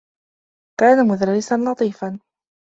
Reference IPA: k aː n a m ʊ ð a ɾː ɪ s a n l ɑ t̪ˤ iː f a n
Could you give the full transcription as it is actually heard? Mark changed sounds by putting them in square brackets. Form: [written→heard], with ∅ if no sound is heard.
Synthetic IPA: k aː n a m ʊ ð a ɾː ɪ s a n l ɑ t̪ˤ iː f a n